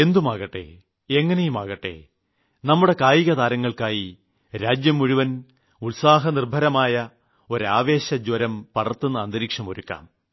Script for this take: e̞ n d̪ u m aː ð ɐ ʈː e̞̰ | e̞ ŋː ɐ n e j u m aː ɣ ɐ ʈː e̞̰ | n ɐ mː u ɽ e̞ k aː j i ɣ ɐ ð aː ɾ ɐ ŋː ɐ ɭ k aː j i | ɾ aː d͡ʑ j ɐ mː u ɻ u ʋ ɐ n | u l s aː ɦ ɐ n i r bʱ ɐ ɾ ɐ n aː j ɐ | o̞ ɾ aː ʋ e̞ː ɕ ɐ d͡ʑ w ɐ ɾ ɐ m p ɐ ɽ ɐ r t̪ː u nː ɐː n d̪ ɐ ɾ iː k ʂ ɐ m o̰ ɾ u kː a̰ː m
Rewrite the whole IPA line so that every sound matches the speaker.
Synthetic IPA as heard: e̞ n d̪ u m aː ɣ ɐ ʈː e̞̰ | e̞ ŋː ɐ n e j u m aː ɣ ɐ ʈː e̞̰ | n ɐ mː u ɽ e̞ k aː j i ɣ ɐ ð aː ɾ ɐ ŋː ɐ ɭ k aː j i | ɾ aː d͡ʑ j ɐ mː u ɻ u ʋ ɐ n | u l s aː ɦ ɐ n i r bʱ ɐ ɾ ɐ m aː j ɐ | o̞ ɾ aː ʋ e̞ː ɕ ɐ d͡ʑ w ɐ ɾ ɐ m p ɐ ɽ ɐ r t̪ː u nː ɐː n d̪ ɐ ɾ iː k ʂ ɐ m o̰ ɾ u kː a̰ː m